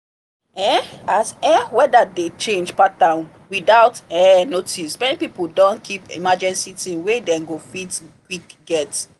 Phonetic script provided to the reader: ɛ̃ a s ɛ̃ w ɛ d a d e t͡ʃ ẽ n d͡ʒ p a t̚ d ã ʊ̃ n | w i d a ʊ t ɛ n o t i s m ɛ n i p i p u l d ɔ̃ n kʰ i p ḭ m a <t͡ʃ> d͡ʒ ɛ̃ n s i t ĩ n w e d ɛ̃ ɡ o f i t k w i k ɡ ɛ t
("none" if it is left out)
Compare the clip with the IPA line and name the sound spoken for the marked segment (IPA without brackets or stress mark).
none